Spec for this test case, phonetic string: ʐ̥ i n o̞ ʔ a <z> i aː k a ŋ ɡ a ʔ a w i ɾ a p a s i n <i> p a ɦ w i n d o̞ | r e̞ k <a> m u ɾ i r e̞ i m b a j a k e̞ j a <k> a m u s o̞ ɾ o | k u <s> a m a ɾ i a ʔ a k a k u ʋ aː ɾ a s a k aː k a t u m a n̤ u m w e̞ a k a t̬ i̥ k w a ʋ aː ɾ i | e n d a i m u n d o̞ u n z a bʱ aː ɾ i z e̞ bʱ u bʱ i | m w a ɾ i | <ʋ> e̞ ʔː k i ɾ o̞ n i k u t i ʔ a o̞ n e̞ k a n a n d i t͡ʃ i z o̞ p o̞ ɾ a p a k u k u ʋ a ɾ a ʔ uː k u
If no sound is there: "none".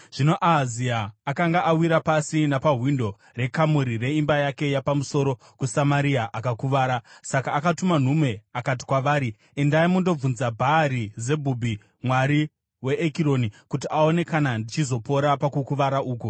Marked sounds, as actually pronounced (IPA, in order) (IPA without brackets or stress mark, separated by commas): z, a, a, p, s, w